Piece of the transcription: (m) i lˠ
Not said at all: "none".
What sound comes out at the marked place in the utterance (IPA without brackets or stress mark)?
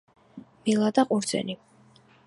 m